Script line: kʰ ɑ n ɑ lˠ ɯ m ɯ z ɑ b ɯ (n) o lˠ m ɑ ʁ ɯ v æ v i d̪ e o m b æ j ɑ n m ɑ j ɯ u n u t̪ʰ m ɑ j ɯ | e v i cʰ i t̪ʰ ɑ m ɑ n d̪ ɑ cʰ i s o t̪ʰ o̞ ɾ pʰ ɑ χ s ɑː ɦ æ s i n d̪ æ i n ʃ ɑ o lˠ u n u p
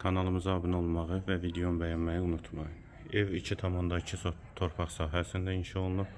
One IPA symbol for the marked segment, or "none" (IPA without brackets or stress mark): n